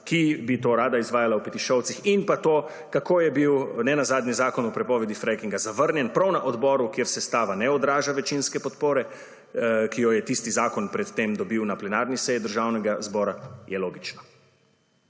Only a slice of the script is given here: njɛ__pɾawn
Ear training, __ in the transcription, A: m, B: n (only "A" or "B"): B